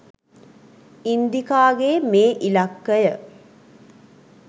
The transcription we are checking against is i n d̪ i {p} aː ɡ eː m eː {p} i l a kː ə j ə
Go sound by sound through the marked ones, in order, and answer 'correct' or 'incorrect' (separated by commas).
incorrect, incorrect